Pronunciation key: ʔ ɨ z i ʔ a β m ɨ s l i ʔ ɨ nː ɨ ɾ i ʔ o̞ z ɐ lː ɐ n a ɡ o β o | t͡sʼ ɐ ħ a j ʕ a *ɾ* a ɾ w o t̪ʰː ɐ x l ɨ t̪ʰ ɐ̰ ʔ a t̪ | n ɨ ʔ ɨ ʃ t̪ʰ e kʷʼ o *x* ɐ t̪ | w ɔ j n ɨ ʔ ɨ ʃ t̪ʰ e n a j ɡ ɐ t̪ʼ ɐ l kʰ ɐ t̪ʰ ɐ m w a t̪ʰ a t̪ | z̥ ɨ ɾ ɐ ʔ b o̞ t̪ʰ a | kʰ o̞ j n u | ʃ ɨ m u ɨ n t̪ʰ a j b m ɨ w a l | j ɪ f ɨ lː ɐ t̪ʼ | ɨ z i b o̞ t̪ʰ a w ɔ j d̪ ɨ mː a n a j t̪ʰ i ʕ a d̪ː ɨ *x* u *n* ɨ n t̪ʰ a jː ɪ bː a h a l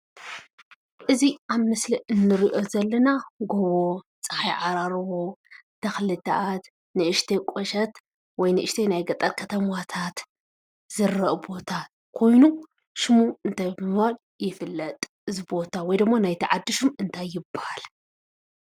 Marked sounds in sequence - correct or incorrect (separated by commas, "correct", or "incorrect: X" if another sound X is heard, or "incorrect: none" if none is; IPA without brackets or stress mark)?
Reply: correct, incorrect: ʃ, incorrect: ʃ, incorrect: m